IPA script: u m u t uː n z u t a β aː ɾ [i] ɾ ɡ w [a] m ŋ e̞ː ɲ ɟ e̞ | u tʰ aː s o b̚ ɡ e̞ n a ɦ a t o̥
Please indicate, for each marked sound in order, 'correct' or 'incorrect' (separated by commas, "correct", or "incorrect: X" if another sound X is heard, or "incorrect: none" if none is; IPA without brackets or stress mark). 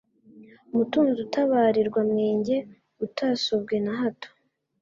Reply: correct, correct